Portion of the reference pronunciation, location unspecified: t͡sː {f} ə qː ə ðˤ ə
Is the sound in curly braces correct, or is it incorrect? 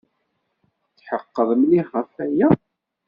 incorrect